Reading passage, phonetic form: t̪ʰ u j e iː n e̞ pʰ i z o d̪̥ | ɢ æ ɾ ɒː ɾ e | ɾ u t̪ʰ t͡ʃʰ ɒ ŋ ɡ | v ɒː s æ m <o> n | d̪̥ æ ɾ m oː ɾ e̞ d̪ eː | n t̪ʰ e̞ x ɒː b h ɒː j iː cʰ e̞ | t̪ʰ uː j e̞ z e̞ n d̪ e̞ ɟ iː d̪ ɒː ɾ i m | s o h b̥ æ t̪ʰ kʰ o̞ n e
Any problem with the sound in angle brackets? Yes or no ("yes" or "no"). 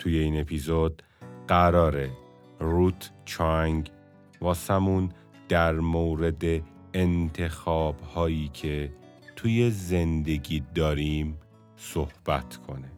yes